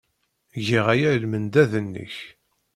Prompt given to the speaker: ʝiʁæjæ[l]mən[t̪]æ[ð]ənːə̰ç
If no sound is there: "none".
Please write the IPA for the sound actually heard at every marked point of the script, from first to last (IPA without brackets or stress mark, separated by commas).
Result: l, d̪, ð